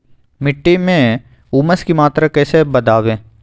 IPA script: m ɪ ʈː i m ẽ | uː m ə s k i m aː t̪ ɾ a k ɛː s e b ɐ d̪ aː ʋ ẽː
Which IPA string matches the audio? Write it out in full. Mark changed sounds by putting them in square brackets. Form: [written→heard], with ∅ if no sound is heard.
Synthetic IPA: m ɪ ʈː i m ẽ | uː m ə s k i m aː t̪ ɾ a k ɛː s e b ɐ d̪ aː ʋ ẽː